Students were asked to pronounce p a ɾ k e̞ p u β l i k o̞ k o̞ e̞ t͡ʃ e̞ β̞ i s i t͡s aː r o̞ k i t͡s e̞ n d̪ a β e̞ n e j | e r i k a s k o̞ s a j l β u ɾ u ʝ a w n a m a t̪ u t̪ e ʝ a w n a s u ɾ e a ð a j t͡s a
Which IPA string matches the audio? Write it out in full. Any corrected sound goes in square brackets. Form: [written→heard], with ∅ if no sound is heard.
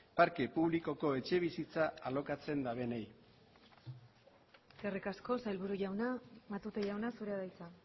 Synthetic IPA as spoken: p a ɾ k e̞ p u β l i k o̞ k o̞ e̞ t͡ʃ e̞ β̞ i s i t͡s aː [r→l] o̞ k [i→a] t͡s e̞ n d̪ a β e̞ n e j | e r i k a s k o̞ s a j l β u ɾ u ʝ a w n a m a t̪ u t̪ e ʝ a w n a s u ɾ e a ð a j t͡s a